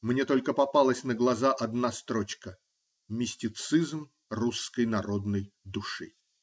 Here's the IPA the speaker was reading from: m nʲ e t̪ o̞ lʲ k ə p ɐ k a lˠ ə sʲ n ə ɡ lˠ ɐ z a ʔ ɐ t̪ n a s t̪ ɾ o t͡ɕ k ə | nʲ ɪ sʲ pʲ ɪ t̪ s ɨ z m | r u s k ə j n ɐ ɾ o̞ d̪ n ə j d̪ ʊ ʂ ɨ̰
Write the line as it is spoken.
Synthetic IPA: m nʲ e t̪ o̞ lʲ k ə p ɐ p a lˠ ə sʲ n ə ɡ lˠ ɐ z a ʔ ɐ d̪ n a s t̪ ɾ o t͡ɕ k ə | mʲ ɪ sʲ tʲ ɪ t̪ s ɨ z m | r u s k ə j n ɐ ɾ o̞ d̪ n ə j d̪ ʊ ʂ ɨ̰